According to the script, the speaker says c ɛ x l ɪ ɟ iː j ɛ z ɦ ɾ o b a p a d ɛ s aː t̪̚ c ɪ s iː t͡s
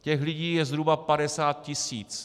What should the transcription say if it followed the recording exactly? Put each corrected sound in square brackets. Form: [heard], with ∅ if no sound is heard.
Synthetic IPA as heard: c ɛ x l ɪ ɟ iː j ɛ z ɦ ɾ [u] b a p a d ɛ s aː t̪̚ c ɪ s iː t͡s

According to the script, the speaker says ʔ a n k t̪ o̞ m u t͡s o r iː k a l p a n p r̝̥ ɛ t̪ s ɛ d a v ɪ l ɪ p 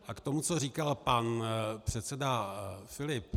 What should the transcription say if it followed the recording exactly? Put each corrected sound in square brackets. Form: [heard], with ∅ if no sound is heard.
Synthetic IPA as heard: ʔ a [∅] k t̪ o̞ m u t͡s o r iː k a l p a n p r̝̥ ɛ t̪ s ɛ d a [f] ɪ l ɪ p

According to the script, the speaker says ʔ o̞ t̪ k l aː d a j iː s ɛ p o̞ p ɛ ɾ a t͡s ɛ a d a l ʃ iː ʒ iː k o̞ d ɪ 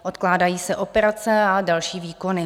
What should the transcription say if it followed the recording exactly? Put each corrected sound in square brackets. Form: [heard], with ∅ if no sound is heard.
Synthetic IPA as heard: ʔ o̞ t̪ k l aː d a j iː s ɛ [ʔ] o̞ p ɛ ɾ a t͡s ɛ a d a l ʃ iː [v] iː k o̞ [n] ɪ

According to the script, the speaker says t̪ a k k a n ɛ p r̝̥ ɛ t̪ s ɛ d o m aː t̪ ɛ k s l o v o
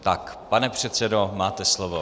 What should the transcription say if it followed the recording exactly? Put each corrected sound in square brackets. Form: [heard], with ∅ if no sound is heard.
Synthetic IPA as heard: t̪ a k [p] a n ɛ p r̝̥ ɛ t̪ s ɛ d o m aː t̪ ɛ [∅] s l o v o

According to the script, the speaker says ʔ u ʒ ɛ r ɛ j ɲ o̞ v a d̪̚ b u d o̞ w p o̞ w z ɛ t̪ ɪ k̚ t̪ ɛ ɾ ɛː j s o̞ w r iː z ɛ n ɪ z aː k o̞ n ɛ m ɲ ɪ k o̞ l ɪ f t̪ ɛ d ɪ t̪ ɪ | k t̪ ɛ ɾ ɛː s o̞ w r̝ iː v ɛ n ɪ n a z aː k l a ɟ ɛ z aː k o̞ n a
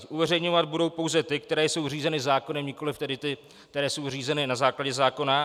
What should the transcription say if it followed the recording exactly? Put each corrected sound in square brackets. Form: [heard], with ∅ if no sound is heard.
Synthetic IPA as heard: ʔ u [v] ɛ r ɛ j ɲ o̞ v a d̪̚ b u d o̞ w p o̞ w z ɛ t̪ ɪ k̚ t̪ ɛ ɾ ɛː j s o̞ w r iː z ɛ n ɪ z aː k o̞ n ɛ m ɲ ɪ k o̞ l ɪ f t̪ ɛ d ɪ t̪ ɪ | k t̪ ɛ ɾ ɛː s o̞ w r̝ iː [z] ɛ n ɪ n a z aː k l a ɟ ɛ z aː k o̞ n a

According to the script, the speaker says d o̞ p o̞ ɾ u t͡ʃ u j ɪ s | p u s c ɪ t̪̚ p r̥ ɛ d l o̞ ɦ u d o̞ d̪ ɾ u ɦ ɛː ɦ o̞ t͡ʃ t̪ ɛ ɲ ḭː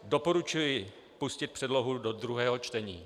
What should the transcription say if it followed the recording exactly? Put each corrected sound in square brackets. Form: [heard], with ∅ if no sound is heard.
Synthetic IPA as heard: d o̞ p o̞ ɾ u t͡ʃ u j ɪ [∅] | p u s c ɪ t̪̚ p r̥ ɛ d l o̞ ɦ u d o̞ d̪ ɾ u ɦ ɛː ɦ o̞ t͡ʃ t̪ ɛ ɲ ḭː

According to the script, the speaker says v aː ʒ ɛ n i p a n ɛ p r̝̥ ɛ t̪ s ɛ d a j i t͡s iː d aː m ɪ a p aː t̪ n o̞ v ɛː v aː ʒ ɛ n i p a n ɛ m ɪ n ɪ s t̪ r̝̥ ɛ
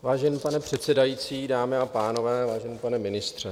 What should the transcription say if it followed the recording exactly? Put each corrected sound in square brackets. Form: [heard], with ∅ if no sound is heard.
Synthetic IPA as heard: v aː ʒ ɛ n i p a n ɛ p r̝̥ ɛ t̪ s ɛ d a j i t͡s iː d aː m ɪ a p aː [∅] n o̞ v ɛː v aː ʒ ɛ n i p a n ɛ m ɪ n ɪ s t̪ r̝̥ ɛ

